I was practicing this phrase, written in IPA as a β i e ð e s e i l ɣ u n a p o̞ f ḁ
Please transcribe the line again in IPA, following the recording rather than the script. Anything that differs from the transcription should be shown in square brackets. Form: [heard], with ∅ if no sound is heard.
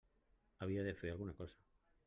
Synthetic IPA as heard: a β i [a] ð e [f] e [a] l ɣ u n a [k] o̞ [s] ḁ